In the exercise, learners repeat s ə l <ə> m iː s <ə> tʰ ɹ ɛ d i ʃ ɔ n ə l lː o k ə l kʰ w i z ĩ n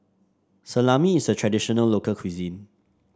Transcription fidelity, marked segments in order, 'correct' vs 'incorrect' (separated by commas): incorrect, correct